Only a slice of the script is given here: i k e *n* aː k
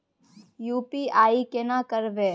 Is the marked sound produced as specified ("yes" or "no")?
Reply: yes